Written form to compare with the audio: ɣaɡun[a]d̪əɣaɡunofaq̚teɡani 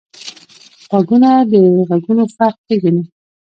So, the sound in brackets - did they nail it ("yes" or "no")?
yes